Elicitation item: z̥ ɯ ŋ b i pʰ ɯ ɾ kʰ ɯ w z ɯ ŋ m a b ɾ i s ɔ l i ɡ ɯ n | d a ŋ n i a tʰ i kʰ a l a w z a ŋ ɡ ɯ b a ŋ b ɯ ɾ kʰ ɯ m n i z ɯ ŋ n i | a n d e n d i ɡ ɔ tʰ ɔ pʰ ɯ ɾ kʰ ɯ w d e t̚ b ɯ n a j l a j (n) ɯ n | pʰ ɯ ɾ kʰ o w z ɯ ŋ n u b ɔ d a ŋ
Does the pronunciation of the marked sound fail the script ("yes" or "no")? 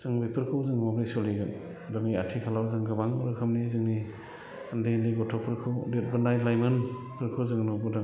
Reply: yes